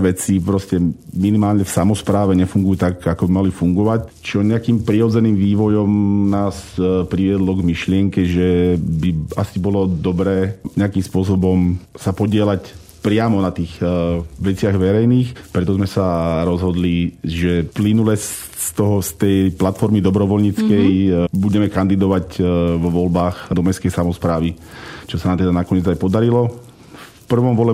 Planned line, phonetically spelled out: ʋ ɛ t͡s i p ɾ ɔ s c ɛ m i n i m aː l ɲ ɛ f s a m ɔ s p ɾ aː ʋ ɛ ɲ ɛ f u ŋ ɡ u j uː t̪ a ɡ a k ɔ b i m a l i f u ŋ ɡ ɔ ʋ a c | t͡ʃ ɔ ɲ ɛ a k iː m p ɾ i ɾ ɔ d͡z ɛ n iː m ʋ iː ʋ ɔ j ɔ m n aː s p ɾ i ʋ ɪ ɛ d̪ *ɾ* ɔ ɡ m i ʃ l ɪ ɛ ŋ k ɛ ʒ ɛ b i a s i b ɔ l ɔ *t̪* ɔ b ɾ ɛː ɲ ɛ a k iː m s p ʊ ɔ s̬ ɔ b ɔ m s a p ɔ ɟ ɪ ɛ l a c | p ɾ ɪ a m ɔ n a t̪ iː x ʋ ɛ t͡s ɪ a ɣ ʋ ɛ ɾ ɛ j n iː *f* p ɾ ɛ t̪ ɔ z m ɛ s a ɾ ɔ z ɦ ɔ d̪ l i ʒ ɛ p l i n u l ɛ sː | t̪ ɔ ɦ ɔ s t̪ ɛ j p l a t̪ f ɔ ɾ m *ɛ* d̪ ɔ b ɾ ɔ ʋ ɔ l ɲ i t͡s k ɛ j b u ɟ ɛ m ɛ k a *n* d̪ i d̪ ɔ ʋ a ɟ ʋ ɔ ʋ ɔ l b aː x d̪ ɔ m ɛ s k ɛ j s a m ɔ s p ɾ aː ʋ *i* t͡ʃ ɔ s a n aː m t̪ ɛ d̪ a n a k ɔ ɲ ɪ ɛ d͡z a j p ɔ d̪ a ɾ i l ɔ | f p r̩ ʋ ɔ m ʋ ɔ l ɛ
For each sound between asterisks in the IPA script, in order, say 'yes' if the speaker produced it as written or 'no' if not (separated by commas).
no, no, no, no, yes, yes